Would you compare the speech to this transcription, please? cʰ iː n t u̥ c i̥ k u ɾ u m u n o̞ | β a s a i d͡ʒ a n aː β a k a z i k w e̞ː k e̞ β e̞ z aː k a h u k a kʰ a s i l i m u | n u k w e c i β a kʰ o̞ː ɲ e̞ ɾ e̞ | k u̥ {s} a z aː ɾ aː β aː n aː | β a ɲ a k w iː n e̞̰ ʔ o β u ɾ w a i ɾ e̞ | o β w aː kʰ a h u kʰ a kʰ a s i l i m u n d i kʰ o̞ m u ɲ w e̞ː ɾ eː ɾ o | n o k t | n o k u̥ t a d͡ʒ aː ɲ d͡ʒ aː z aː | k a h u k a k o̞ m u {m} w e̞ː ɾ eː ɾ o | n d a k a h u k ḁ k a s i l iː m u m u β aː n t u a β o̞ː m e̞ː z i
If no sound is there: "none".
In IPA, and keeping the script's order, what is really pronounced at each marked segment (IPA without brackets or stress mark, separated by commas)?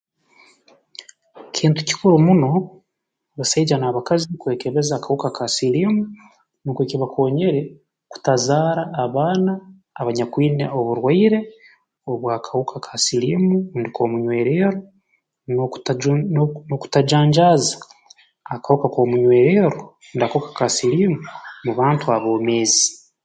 t, ɲ